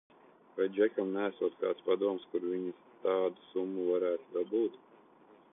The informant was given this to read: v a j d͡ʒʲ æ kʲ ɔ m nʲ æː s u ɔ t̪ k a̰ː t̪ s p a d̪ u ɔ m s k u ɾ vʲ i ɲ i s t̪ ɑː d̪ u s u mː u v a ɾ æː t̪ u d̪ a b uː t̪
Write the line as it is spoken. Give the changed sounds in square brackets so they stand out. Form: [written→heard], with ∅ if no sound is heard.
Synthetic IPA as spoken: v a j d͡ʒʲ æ kʲ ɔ m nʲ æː s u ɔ t̪ k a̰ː t̪ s p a d̪ u ɔ m s k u ɾ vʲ i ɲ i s t̪ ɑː d̪ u s u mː u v a ɾ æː t̪ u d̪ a b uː t̪